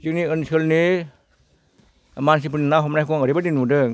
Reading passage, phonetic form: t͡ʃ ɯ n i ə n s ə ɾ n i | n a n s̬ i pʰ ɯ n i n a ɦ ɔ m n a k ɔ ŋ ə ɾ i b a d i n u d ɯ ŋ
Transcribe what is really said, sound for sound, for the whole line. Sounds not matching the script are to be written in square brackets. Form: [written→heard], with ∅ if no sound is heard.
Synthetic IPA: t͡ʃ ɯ n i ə n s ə [ɾ→l] n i | [n→m] a n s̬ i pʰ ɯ n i n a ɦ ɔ m n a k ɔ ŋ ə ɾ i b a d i n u d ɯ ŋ